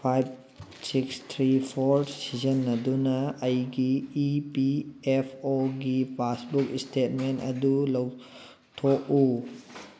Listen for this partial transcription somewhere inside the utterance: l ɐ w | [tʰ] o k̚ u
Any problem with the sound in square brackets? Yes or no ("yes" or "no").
no